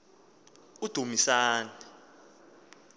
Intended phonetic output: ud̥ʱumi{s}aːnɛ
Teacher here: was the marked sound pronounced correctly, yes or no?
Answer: yes